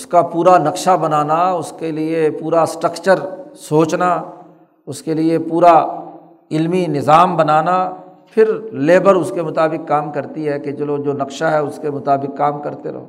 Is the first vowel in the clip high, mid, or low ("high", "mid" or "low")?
high